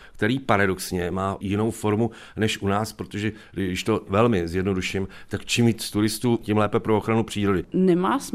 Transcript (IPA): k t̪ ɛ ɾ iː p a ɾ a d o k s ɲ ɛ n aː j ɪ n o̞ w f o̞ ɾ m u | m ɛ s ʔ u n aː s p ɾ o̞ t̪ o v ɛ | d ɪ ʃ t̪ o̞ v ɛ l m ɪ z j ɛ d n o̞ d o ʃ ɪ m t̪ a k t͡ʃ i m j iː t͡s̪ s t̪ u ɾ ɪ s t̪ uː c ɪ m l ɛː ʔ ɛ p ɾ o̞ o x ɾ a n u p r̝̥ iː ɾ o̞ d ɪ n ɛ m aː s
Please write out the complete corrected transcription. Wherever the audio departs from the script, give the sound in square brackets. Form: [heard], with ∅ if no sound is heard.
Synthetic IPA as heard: k t̪ ɛ ɾ iː p a ɾ a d o k s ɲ ɛ [m] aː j ɪ n o̞ w f o̞ ɾ m u | [n] ɛ [ʃ] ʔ u n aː s p ɾ o̞ t̪ o [ʒ] ɛ | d ɪ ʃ t̪ o̞ v ɛ l m ɪ z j ɛ d n o̞ d [u] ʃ ɪ m t̪ a k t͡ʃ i m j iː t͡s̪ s t̪ u ɾ ɪ s t̪ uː c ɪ m l ɛː [p] ɛ p ɾ o̞ o x ɾ a n u p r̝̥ iː ɾ o̞ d ɪ n ɛ m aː s